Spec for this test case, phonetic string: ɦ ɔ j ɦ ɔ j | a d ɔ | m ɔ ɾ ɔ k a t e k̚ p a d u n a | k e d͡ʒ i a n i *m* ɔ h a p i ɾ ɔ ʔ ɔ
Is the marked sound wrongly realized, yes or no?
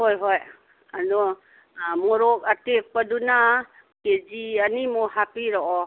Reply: no